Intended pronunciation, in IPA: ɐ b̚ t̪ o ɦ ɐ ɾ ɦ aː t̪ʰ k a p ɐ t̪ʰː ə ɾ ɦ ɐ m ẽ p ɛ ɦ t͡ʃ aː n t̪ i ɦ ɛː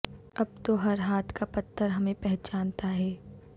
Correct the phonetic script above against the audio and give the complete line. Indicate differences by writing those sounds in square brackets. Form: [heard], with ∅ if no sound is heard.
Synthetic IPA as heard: ɐ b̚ t̪ o ɦ ɐ ɾ ɦ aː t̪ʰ k a p ɐ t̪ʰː ə ɾ ɦ ɐ m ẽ p ɛ ɦ t͡ʃ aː n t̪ [a] ɦ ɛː